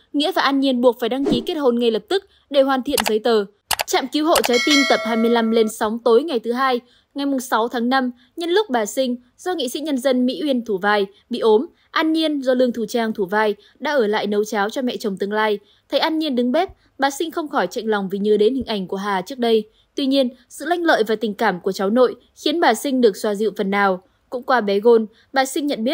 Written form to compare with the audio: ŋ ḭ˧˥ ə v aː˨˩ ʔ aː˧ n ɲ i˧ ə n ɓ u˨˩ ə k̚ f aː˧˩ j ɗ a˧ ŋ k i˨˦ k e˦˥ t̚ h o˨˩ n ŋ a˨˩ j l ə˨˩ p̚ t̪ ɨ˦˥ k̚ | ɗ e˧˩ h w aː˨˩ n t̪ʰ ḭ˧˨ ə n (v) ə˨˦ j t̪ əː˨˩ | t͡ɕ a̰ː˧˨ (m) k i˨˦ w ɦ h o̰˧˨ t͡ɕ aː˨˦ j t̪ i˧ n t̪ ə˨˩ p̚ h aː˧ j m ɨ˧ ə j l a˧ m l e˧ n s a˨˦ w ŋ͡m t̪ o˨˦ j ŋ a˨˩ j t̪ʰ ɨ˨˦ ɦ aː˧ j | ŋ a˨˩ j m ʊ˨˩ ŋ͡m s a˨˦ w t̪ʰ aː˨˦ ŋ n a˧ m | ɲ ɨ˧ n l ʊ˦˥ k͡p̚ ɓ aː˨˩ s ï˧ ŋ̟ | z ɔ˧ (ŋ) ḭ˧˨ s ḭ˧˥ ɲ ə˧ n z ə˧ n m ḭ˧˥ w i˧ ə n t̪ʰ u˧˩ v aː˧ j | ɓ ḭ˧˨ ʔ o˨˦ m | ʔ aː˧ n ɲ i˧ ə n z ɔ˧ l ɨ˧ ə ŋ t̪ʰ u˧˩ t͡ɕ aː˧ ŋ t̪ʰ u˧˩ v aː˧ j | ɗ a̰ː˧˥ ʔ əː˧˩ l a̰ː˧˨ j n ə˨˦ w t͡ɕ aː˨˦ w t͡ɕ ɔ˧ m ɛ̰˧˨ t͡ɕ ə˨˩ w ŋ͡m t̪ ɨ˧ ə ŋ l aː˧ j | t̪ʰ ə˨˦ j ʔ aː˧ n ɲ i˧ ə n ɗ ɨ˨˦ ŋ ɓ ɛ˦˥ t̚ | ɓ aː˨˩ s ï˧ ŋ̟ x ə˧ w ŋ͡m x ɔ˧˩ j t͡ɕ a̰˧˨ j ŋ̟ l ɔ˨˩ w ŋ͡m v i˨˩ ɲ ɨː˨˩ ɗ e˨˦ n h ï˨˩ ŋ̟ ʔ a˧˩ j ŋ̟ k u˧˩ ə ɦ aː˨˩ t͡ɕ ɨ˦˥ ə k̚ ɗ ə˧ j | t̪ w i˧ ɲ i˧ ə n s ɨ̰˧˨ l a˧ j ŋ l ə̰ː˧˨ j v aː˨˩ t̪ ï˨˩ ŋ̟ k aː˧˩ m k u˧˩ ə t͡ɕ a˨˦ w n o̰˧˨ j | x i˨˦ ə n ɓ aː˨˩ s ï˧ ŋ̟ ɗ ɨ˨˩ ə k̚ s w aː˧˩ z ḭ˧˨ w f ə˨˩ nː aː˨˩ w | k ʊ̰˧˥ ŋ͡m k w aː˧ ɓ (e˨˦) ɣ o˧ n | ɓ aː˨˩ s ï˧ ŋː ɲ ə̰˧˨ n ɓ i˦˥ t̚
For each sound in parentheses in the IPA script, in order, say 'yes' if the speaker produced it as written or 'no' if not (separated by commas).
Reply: no, yes, yes, no